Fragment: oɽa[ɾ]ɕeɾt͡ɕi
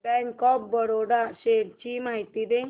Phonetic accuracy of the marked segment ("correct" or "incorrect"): incorrect